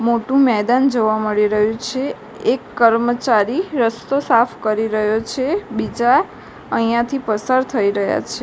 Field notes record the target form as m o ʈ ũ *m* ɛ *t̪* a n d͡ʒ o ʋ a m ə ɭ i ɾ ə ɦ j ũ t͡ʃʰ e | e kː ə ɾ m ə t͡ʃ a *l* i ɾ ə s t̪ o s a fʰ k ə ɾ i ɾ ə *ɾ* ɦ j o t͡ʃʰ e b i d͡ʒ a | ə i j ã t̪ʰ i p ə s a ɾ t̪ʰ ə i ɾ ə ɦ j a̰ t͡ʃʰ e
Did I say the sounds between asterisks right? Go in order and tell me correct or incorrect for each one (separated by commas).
correct, incorrect, incorrect, incorrect